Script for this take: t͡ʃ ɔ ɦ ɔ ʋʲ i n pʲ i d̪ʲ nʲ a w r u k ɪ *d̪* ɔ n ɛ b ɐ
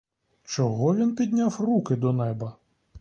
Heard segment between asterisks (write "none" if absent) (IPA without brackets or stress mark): d̪